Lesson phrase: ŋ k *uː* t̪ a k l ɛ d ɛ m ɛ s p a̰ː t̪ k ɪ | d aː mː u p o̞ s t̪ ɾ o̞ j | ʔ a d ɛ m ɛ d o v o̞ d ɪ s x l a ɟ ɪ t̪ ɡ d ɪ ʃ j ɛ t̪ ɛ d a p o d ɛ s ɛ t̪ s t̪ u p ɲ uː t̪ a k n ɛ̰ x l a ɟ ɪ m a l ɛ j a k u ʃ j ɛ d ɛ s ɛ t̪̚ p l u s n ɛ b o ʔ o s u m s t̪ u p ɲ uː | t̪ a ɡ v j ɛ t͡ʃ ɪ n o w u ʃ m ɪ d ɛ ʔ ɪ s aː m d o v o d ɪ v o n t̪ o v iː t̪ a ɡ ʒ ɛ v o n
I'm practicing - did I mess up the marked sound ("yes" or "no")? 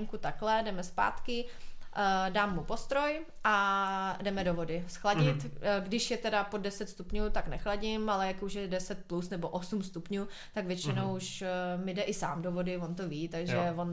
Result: yes